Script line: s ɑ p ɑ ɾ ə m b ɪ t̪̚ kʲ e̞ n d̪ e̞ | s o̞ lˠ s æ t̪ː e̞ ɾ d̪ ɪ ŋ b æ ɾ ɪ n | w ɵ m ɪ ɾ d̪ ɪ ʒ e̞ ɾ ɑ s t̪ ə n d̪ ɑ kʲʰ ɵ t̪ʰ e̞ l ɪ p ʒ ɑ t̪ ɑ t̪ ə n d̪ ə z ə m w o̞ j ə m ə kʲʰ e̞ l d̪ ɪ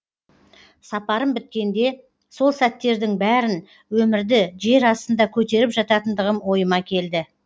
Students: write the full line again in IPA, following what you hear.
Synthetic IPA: s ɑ p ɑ ɾ ə m b ɪ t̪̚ kʲ e̞ n d̪ e̞ | s o̞ lˠ s æ t̪ː e̞ ɾ d̪ ɪ ŋ b æ ɾ ɪ n | w ɵ m ɪ ɾ d̪ ɪ ʒ e̞ ɾ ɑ s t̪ ə n d̪ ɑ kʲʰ ɵ t̪ e̞ ɾ ɪ p ʒ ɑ t̪ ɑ t̪ ə n d̪ ə ʁ ə m w o̞ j ə m ɑ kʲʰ e̞ l d̪ ɪ